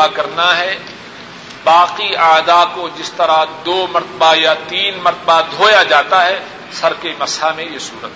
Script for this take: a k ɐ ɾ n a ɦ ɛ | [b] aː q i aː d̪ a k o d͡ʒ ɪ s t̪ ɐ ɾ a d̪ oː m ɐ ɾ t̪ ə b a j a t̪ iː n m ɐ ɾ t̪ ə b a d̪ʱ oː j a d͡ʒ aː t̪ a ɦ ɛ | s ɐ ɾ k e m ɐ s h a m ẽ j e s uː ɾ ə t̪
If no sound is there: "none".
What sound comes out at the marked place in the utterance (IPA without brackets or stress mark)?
b